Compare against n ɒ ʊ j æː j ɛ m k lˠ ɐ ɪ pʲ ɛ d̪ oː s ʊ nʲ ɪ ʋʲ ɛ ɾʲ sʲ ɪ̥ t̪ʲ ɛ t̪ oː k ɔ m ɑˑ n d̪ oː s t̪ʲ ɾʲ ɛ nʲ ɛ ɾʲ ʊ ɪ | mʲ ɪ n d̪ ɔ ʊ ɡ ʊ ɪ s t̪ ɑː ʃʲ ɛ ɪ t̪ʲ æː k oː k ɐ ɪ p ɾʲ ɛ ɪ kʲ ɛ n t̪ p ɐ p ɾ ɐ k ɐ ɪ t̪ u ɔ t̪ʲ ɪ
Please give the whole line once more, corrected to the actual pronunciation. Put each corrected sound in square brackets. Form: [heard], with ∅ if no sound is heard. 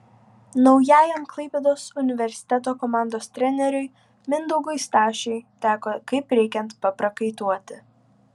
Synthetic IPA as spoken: n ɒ ʊ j æː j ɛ m k lˠ ɐ ɪ pʲ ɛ d̪ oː s ʊ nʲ ɪ ʋʲ ɛ ɾʲ sʲ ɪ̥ t̪ʲ ɛ t̪ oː k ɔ m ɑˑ n d̪ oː s t̪ʲ ɾʲ ɛ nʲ ɛ ɾʲ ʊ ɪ | mʲ ɪ n d̪ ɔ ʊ ɡ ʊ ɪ s t̪ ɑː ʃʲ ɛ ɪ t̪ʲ æː k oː k ɐ ɪ p ɾʲ ɛ ɪ kʲ ɛ n t̪ p ɐ p ɾ ɐ k ɐ ɪ t̪ u ɔ t̪ʲ ɪ